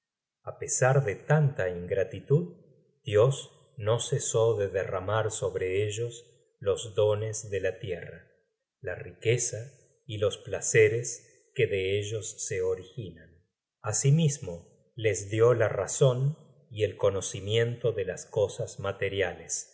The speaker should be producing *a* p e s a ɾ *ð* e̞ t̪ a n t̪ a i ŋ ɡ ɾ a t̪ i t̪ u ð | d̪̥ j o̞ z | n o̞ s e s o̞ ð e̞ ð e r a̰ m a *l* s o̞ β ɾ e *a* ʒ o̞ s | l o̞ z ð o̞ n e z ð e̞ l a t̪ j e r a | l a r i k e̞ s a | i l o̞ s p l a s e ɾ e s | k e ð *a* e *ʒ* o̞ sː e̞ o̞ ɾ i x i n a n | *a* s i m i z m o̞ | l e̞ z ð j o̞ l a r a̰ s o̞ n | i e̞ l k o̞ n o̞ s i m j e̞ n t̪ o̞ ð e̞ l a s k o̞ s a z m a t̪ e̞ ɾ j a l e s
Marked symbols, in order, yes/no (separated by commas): yes, yes, no, no, no, yes, yes